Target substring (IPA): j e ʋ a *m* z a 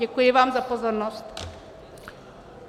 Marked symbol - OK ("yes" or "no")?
yes